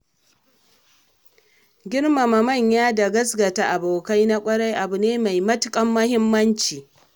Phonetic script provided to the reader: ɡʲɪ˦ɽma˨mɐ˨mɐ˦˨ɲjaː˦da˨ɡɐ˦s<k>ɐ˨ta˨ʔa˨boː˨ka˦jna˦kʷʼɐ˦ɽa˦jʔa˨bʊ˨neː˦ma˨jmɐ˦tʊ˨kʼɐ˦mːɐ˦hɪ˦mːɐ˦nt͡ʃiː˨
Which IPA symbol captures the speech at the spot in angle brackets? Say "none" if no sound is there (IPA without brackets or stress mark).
ɡ